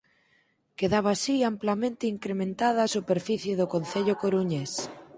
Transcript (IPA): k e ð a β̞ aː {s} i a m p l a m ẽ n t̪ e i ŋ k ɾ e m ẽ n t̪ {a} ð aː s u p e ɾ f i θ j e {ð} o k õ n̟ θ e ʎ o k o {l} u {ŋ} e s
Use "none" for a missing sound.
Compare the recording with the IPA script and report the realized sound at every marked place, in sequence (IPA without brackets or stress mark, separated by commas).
s, a, ð, ɾ, ɲ